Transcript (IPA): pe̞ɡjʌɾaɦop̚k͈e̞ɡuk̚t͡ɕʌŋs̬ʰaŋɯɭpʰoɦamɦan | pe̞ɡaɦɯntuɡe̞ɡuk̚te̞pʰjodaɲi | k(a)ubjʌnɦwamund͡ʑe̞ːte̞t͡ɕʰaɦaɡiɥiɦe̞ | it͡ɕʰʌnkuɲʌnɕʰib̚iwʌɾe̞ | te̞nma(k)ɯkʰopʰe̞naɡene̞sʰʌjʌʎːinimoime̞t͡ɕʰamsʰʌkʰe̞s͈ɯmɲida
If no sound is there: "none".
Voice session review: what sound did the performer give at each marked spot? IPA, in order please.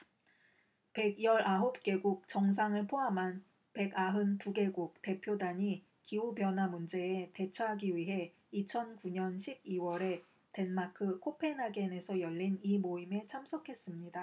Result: i, kʰ

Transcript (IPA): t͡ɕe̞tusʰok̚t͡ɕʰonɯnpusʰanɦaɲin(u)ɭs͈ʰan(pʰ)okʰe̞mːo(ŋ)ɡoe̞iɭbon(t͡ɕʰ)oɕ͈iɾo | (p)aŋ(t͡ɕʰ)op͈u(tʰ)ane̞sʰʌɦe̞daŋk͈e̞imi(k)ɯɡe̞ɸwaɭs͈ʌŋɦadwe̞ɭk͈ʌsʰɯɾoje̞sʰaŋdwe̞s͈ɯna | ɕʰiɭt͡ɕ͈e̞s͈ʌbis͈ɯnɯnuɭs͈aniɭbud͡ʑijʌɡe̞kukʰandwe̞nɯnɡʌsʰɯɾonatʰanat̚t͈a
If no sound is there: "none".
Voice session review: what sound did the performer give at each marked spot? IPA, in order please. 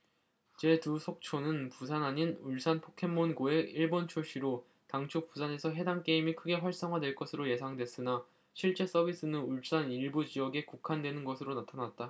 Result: u, pʰ, n, t͡ɕʰ, t, t͡ɕʰ, sʰ, kʰ

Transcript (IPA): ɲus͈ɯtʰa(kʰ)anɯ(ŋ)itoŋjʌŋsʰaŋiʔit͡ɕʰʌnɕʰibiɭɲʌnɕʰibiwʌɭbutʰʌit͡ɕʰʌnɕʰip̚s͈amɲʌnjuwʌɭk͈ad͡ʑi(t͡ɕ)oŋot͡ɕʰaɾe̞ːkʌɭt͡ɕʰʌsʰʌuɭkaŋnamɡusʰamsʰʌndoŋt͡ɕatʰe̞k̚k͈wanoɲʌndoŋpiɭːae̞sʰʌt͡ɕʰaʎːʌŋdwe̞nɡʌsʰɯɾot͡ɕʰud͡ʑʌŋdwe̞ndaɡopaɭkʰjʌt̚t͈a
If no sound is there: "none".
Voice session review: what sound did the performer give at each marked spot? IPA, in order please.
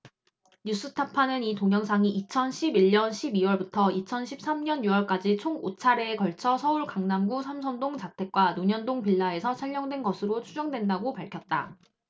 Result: pʰ, n, t͡ɕʰ

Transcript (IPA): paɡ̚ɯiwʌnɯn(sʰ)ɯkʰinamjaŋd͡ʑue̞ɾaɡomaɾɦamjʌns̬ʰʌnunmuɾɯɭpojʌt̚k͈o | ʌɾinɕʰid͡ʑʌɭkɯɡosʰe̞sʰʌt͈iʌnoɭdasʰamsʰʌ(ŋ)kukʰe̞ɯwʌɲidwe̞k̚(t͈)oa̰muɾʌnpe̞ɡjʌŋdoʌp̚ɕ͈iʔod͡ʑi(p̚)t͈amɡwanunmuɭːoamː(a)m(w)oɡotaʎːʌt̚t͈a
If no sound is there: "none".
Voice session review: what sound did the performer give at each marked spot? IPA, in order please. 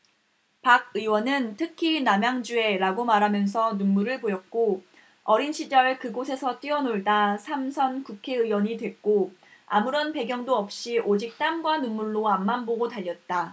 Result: tʰ, n, k͈, k̚, a, b

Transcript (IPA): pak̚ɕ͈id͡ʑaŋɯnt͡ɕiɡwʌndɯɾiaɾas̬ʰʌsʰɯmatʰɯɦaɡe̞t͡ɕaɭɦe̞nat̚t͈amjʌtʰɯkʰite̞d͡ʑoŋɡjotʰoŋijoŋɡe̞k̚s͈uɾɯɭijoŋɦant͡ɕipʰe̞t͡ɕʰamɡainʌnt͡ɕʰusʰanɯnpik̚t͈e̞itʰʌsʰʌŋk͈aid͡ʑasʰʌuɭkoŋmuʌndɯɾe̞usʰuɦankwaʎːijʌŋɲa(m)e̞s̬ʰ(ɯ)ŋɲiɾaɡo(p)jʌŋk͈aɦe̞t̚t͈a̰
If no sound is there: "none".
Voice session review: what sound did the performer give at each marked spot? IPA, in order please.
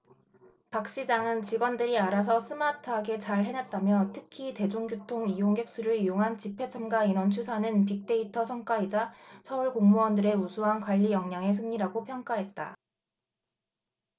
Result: ŋ, ɯ, pʰ

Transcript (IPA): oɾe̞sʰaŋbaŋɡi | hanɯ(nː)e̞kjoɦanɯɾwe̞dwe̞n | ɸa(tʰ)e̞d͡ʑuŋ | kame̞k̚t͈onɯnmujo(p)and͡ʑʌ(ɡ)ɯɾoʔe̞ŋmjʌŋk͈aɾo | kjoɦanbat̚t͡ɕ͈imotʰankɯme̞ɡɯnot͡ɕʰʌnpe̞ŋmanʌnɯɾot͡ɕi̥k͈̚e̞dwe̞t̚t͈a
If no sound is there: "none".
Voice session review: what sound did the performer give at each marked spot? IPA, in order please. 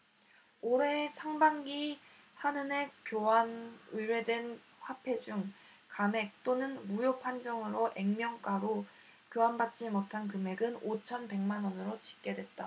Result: n, pʰ, pʰ, ŋ

